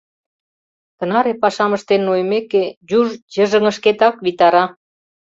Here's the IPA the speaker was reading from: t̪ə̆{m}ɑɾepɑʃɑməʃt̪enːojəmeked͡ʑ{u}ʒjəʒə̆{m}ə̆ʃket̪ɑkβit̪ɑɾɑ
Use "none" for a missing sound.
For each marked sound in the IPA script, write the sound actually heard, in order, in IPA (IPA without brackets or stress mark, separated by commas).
n, u, ŋ